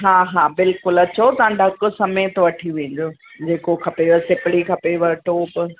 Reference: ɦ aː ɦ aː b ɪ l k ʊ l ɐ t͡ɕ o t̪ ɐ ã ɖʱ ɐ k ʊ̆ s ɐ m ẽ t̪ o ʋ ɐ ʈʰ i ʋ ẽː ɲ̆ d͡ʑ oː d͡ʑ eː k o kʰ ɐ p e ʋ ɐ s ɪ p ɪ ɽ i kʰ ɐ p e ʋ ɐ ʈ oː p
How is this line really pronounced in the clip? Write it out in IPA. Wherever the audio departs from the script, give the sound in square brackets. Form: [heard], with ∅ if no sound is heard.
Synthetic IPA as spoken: ɦ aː ɦ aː b ɪ l k ʊ l ɐ t͡ɕ o t̪ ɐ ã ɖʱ ɐ k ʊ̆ s ɐ m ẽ t̪ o ʋ ɐ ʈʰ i ʋ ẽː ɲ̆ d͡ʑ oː d͡ʑ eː k o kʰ ɐ p e ʋ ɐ s ɪ p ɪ ɽ i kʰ ɐ p e ʋ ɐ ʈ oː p